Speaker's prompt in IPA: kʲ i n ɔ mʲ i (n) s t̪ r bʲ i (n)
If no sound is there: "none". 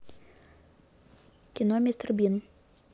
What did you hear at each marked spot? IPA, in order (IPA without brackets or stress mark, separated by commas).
none, n